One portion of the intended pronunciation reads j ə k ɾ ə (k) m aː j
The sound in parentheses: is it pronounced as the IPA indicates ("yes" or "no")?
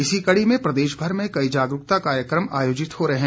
no